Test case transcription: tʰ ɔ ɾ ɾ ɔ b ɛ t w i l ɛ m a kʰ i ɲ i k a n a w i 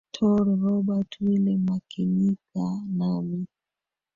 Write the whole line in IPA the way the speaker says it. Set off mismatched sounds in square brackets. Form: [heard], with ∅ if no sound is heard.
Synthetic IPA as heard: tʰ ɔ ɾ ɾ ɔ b [a] t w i l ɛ m a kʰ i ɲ i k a n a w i